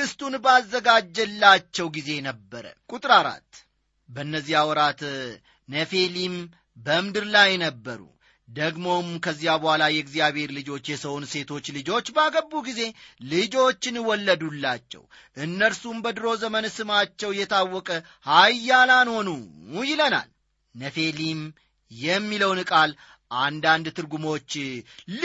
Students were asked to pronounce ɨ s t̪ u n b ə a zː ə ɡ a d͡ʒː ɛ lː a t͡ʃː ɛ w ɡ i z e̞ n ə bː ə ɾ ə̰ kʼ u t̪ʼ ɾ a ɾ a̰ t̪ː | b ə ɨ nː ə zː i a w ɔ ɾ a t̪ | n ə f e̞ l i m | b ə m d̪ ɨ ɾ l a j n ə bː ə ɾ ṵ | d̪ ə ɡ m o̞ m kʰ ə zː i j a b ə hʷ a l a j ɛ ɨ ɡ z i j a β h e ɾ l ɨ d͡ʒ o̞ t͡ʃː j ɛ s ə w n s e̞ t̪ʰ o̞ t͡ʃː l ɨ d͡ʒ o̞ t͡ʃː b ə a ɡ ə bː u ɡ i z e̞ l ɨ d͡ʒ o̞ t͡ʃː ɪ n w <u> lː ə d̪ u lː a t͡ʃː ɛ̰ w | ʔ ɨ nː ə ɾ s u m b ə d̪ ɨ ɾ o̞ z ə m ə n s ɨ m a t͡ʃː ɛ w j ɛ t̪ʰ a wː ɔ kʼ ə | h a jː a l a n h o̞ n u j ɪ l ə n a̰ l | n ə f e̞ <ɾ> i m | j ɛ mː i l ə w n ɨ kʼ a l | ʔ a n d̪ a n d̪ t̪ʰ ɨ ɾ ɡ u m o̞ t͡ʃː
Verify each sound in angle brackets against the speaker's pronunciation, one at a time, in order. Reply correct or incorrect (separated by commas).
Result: incorrect, incorrect